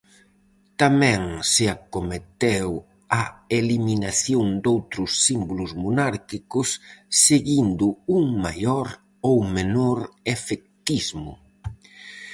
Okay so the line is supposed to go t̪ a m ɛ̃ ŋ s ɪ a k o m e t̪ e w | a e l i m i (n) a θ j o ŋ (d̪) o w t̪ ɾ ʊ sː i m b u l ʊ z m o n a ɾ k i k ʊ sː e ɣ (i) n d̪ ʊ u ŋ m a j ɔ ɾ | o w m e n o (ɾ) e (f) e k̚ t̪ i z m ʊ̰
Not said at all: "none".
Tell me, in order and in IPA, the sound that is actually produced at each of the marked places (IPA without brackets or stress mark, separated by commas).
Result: n, d̪, i, ɾ, f